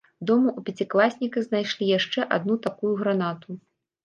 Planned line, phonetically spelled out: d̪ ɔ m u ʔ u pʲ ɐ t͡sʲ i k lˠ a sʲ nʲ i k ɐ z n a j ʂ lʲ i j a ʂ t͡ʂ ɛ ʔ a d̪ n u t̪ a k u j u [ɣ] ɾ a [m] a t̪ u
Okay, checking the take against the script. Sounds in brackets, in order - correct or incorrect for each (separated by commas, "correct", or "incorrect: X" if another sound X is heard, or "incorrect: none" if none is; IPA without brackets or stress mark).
correct, incorrect: n